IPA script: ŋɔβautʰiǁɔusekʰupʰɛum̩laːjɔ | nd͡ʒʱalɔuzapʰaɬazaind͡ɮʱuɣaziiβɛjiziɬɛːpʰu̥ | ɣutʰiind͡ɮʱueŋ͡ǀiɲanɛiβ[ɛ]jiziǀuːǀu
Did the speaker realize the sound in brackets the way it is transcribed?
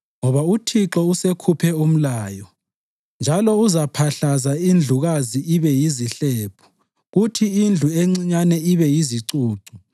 yes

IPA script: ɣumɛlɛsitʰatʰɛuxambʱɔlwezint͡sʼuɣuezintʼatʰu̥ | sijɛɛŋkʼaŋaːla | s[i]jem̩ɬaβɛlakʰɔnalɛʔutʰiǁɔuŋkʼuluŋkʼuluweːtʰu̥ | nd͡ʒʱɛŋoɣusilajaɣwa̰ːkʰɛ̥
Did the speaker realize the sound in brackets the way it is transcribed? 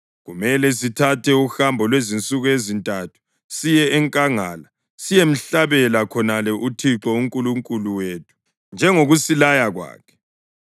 yes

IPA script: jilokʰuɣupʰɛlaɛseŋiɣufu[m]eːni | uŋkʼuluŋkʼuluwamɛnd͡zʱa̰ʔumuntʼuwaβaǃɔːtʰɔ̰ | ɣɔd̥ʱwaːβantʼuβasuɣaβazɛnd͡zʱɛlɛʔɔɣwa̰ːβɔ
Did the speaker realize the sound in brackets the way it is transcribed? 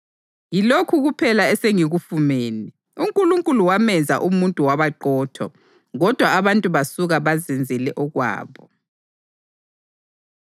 yes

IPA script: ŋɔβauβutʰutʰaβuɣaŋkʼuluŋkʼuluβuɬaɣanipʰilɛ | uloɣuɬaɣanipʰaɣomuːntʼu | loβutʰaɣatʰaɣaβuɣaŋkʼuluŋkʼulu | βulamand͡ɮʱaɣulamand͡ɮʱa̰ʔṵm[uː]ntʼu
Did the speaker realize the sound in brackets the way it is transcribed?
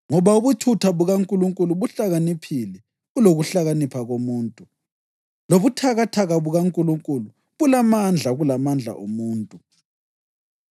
yes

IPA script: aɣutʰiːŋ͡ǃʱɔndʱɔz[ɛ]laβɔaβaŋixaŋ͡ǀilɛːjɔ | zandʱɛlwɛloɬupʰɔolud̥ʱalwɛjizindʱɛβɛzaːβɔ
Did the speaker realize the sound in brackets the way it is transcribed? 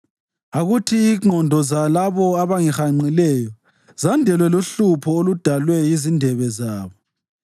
no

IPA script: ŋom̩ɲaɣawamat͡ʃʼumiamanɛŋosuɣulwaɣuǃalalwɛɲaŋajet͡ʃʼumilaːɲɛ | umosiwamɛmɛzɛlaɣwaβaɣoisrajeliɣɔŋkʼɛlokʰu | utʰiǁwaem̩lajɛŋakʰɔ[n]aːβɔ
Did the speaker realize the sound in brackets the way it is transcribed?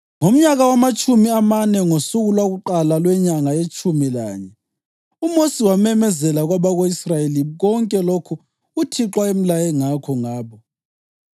no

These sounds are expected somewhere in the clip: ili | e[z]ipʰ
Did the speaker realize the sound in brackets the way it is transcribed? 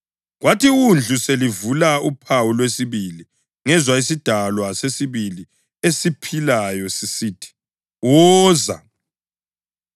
no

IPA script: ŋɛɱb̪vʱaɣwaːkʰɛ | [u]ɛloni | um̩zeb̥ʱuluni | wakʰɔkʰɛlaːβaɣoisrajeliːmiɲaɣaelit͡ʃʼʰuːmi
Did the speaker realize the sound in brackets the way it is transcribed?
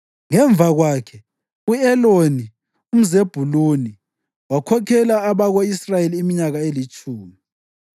yes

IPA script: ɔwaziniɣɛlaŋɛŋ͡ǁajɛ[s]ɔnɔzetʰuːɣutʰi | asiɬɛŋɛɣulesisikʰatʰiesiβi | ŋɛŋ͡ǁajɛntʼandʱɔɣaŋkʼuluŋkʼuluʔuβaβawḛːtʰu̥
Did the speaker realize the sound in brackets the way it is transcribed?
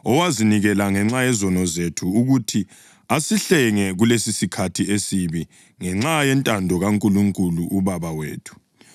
no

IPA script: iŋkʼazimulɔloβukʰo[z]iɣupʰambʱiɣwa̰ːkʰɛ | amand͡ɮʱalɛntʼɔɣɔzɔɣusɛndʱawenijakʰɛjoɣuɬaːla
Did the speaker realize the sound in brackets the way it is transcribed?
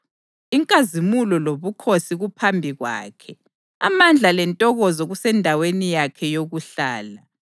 no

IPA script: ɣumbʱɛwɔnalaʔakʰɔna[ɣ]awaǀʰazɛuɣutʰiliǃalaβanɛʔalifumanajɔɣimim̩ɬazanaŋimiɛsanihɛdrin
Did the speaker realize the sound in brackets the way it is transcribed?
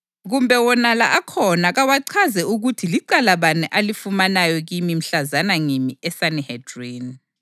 yes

